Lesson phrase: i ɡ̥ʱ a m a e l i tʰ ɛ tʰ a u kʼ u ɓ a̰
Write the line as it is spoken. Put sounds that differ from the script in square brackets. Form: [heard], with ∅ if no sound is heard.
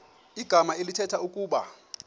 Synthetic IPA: i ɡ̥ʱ a m a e l i tʰ ɛ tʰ a u kʼ [uː] ɓ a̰